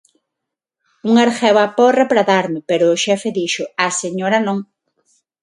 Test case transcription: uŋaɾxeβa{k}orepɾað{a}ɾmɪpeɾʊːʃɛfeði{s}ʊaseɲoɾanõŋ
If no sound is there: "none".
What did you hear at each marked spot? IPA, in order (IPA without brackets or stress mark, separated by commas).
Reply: p, a, ʃ